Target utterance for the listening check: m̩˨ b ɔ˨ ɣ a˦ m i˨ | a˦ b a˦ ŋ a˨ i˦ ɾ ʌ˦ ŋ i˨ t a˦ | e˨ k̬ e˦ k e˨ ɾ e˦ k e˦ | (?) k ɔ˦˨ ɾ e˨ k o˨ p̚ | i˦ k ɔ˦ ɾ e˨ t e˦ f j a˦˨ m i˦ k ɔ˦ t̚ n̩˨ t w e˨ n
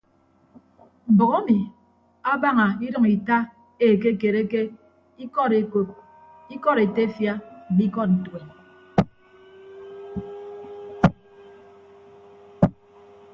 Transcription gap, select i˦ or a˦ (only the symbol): i˦